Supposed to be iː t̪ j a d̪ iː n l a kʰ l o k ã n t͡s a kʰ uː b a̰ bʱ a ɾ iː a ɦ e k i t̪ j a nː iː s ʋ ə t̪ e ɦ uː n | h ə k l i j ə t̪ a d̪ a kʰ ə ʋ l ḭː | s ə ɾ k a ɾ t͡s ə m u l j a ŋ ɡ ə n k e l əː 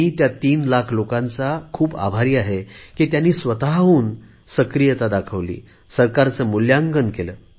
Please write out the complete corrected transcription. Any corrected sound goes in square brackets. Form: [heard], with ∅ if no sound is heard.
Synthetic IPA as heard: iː t̪ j a [t̪] iː n l a kʰ l o k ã n t͡s a kʰ uː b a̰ bʱ a ɾ iː a ɦ e k i t̪ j a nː iː s ʋ ə t̪ [a] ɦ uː n | [s] ə k [ɾ] i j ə t̪ a d̪ a kʰ ə ʋ l ḭː | s ə ɾ k a ɾ t͡s ə m u l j a ŋ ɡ ə n k e l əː